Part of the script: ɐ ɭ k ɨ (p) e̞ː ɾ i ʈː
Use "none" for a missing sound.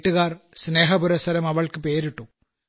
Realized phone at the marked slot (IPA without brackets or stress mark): p